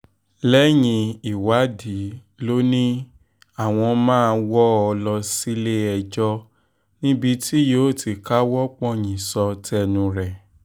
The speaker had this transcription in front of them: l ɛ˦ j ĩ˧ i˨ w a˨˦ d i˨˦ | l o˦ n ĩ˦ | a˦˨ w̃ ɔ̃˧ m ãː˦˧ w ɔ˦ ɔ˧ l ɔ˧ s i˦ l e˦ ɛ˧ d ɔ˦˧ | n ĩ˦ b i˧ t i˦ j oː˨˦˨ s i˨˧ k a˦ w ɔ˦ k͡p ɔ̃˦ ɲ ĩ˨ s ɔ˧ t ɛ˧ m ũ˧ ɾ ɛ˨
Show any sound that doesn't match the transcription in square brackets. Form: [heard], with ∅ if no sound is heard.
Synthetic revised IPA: l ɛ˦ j ĩ˧ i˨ w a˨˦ d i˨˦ | l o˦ n ĩ˦ | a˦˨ w̃ ɔ̃˧ m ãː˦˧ w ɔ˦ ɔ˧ l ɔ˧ s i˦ l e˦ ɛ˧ [d͡ʒ] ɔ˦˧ | n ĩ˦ b i˧ t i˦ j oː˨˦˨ [t] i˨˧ k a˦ w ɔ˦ k͡p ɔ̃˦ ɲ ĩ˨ s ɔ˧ t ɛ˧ [n] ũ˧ ɾ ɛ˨